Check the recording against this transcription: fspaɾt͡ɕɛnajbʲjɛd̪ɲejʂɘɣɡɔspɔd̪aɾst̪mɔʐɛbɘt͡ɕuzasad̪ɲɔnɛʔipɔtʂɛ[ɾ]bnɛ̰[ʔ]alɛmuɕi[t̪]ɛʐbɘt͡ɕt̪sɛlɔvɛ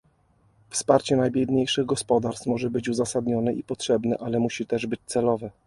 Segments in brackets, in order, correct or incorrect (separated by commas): incorrect, correct, correct